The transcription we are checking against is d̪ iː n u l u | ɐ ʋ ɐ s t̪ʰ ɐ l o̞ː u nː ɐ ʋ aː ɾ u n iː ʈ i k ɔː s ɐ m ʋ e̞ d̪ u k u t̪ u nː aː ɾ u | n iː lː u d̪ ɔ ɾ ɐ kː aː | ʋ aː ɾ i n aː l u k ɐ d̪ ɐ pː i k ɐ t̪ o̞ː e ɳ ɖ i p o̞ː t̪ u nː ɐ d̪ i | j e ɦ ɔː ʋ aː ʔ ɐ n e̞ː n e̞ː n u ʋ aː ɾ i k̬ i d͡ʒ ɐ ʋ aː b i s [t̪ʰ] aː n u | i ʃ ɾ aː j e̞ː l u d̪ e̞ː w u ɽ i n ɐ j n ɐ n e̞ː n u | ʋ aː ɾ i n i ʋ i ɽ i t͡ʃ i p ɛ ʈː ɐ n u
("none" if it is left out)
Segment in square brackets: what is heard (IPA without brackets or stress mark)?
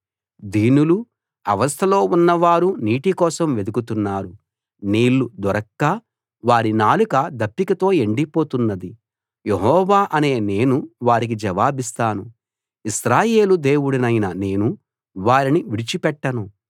t̪